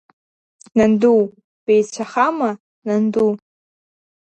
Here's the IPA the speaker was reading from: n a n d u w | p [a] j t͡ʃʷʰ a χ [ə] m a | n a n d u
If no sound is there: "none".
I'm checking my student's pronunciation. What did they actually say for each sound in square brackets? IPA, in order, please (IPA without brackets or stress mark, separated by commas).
e, a